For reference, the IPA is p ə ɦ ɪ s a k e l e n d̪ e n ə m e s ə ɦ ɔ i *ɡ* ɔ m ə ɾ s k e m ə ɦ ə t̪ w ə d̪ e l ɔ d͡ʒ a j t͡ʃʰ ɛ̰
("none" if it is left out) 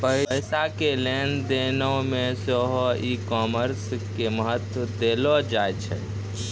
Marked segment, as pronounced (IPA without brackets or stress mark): k